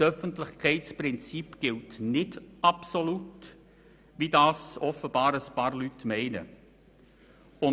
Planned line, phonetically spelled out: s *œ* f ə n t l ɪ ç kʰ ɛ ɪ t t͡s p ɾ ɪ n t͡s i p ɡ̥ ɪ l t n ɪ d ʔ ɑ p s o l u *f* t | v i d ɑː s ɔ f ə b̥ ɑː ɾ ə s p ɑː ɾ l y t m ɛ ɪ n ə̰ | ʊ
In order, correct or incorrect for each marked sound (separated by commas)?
correct, incorrect